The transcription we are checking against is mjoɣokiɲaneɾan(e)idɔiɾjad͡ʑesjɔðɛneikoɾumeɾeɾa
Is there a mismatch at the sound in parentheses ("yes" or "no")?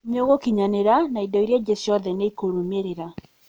yes